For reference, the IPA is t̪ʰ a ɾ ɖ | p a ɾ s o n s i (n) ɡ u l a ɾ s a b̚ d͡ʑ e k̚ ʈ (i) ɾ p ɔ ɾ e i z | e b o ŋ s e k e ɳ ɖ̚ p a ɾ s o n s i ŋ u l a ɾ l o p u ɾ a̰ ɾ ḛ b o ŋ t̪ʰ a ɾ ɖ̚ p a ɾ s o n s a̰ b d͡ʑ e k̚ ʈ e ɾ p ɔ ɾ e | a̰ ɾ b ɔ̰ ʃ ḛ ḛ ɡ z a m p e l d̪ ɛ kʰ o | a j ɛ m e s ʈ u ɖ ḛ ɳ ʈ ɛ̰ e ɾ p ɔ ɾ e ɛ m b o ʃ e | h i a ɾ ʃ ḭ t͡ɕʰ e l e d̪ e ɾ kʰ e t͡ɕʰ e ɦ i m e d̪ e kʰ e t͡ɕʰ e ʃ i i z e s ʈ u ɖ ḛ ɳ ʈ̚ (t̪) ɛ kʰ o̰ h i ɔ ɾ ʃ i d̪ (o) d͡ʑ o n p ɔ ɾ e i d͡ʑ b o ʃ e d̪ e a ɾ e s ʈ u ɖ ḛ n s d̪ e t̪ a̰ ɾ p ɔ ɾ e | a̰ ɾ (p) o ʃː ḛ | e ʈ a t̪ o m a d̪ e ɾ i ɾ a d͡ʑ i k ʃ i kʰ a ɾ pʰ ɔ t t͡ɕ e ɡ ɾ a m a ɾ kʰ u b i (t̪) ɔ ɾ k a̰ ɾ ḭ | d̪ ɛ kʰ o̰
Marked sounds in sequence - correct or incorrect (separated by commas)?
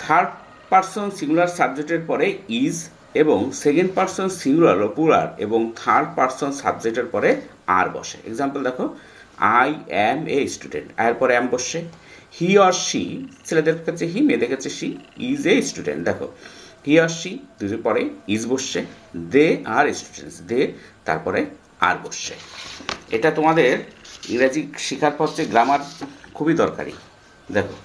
incorrect, incorrect, incorrect, incorrect, incorrect, incorrect